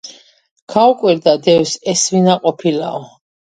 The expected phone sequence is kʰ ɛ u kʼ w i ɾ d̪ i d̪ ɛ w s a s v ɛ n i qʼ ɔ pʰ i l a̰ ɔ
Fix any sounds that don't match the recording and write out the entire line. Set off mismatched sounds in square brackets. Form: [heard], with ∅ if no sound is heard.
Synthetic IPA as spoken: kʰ [a] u kʼ w i ɾ d̪ [a] d̪ ɛ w s [ɛ] s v [i] n [a] qʼ ɔ pʰ i l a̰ ɔ